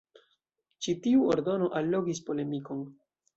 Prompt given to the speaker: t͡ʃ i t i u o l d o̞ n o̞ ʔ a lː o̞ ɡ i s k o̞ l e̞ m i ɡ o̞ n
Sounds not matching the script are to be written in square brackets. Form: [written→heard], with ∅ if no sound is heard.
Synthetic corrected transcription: t͡ʃ i t i u o [l→ɾ] d o̞ n o̞ ʔ a lː o̞ ɡ i s [k→p] o̞ l e̞ m i [ɡ→k] o̞ n